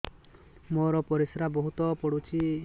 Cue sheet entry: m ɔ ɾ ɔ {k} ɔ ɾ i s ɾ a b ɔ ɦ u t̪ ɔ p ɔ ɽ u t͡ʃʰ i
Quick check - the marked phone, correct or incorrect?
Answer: incorrect